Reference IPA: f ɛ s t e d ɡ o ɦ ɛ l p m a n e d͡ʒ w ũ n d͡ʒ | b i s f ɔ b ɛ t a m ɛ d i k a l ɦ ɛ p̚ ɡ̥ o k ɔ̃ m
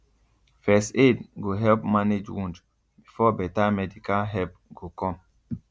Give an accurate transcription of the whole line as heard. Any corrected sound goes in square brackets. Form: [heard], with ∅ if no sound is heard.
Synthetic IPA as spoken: f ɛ s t e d ɡ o ɦ ɛ l p m a n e d͡ʒ w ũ n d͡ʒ | b i [∅] f ɔ b ɛ t a m ɛ d i k a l ɦ ɛ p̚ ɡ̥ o k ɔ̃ m